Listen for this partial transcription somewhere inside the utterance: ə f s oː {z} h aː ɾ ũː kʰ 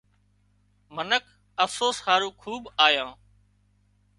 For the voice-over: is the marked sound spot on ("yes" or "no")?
no